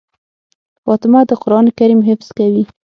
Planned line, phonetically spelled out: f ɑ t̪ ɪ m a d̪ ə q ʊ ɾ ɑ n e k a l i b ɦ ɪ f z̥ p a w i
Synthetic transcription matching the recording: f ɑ t̪ ɪ m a d̪ ə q ʊ ɾ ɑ n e k a ɾ i m ɦ ɪ f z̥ k a w i